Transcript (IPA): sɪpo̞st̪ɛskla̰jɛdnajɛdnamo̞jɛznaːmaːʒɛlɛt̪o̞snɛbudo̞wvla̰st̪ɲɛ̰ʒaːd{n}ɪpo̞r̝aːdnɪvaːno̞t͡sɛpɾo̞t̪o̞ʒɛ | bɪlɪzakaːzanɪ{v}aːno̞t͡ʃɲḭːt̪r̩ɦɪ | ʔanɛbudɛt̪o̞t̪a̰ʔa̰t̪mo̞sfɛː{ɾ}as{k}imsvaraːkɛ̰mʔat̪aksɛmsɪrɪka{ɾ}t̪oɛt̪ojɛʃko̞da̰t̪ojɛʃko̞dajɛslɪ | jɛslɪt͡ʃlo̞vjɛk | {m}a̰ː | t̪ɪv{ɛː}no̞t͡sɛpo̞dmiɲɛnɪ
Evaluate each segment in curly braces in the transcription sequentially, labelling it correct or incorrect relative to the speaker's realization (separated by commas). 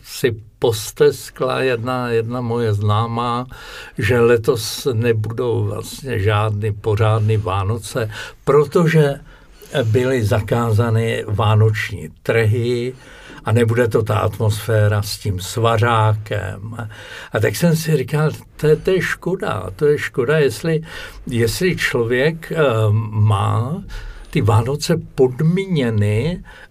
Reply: correct, correct, correct, incorrect, incorrect, correct, incorrect